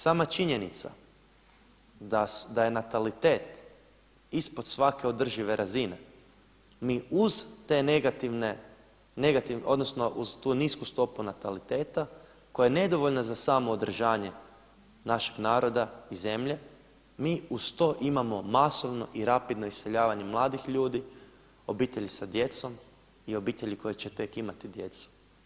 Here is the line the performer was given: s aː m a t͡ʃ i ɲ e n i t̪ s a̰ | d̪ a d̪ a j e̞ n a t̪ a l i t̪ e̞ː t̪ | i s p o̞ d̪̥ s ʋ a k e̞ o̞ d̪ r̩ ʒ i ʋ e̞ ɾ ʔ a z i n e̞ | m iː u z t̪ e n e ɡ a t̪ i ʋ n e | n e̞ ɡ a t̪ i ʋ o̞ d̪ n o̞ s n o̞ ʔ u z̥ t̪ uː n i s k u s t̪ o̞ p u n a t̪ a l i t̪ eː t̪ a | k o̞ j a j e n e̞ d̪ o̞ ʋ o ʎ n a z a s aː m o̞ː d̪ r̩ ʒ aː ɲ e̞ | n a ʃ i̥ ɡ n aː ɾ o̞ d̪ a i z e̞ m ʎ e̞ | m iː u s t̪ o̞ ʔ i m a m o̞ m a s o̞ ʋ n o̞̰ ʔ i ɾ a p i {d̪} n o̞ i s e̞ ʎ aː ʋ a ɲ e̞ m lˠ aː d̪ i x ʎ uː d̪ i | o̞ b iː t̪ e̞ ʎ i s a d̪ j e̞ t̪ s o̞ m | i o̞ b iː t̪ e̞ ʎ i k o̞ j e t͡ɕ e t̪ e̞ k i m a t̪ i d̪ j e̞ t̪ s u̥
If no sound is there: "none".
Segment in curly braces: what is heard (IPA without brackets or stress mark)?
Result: d̪